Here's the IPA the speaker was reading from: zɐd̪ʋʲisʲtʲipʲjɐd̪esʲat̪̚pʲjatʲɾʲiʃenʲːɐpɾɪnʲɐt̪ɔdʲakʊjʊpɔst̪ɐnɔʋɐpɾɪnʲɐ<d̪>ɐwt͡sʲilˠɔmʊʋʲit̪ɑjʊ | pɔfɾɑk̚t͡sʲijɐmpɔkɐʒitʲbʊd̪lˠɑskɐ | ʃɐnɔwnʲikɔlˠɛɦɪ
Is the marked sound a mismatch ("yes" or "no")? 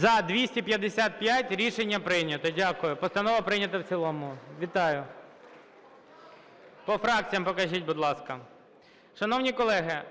yes